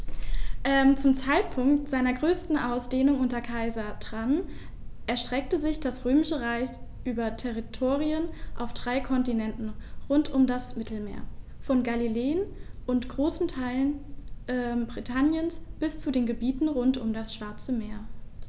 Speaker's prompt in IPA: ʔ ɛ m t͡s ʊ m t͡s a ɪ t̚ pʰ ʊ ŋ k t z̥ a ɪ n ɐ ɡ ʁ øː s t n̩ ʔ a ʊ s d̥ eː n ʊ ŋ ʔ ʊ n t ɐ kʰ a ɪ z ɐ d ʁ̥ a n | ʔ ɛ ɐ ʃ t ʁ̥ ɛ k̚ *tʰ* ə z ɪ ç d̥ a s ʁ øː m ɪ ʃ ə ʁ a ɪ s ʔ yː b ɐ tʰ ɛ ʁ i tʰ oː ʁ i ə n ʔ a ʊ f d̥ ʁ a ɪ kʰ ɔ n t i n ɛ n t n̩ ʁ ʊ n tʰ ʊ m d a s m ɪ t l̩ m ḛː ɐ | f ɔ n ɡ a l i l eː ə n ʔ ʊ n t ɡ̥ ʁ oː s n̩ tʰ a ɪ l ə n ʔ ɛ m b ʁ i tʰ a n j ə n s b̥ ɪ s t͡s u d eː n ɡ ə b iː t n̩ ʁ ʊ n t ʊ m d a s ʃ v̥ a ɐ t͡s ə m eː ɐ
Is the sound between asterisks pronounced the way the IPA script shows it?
no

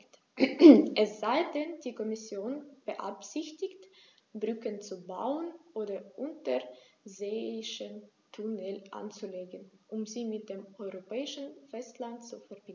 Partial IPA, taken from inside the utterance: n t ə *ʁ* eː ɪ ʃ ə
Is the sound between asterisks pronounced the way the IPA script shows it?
no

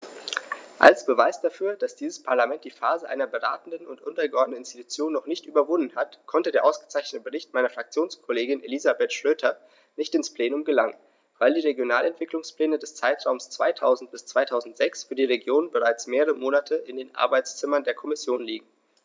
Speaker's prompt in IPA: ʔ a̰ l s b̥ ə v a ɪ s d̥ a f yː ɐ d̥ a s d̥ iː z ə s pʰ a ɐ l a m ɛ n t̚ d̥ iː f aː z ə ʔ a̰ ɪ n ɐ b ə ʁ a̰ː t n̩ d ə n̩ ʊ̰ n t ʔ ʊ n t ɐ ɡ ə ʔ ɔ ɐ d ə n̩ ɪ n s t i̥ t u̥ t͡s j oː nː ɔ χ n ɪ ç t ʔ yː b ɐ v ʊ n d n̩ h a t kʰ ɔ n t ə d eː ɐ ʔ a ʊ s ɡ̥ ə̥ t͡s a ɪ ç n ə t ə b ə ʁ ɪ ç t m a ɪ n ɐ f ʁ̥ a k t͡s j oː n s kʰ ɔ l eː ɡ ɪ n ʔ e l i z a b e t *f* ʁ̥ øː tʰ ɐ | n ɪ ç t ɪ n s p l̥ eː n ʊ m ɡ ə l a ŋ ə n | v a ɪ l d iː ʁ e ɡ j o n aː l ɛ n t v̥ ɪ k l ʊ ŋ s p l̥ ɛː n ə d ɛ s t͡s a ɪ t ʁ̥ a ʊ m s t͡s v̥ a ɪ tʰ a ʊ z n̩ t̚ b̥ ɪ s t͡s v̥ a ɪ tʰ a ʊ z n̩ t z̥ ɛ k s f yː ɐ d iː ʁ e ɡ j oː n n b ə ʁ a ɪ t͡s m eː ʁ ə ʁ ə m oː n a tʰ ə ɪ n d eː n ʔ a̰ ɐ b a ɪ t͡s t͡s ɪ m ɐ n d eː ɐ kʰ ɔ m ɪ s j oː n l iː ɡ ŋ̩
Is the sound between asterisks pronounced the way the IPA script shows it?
no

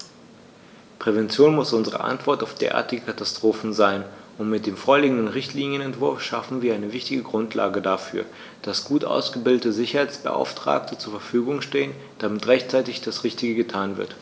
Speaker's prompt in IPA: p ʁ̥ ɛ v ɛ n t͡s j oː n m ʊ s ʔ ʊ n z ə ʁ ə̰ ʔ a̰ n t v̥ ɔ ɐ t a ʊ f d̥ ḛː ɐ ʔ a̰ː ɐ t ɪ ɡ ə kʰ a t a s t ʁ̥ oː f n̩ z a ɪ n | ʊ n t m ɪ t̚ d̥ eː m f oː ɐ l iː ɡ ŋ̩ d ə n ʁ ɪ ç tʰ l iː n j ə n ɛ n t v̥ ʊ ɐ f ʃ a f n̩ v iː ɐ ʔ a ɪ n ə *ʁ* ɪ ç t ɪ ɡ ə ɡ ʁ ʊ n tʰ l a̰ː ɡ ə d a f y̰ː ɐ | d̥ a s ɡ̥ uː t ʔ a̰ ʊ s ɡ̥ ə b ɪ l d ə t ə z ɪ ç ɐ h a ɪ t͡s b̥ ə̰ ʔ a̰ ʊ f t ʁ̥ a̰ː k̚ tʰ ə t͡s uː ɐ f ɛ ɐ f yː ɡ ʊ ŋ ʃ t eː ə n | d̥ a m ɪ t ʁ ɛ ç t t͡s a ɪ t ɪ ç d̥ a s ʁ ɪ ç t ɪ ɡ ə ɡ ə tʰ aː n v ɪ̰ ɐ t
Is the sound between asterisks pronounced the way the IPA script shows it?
no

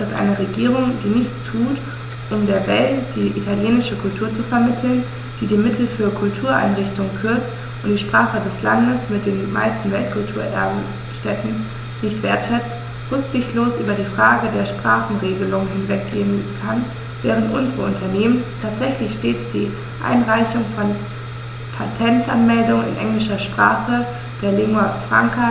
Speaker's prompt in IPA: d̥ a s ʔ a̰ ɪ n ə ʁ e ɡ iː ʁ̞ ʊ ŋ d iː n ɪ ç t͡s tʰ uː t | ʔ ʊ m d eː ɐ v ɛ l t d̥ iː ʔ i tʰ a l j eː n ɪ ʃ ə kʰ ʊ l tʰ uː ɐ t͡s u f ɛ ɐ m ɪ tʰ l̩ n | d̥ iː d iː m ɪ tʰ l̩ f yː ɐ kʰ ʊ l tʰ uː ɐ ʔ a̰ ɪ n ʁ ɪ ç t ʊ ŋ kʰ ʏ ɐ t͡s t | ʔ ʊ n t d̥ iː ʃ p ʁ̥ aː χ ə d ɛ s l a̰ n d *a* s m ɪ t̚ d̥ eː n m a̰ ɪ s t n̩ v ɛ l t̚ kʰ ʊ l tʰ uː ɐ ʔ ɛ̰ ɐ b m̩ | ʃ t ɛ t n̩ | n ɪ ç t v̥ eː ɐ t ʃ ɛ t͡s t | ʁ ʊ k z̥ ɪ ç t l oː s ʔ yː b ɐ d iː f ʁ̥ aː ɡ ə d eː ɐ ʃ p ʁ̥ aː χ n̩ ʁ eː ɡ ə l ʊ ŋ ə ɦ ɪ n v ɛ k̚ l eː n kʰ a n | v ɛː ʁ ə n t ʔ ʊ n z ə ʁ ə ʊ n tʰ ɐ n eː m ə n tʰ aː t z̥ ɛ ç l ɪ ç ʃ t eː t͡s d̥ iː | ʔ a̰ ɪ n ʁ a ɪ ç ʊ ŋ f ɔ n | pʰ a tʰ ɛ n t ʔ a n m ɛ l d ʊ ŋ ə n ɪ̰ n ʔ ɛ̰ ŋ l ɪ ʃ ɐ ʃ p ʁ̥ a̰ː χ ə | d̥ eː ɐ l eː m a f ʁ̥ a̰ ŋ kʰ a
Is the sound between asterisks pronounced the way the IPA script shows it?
no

